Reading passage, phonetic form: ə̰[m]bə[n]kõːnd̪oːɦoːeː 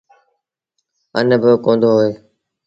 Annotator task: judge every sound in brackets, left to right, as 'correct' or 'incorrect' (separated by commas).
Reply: incorrect, incorrect